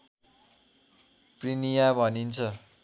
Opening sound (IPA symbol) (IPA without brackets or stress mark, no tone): p